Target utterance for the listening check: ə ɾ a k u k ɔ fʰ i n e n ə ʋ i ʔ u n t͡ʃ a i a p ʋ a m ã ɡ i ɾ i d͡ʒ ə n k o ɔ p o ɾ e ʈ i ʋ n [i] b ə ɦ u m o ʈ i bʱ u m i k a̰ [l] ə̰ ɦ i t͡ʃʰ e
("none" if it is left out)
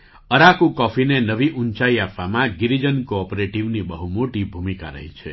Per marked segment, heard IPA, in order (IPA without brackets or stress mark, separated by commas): i, ɾ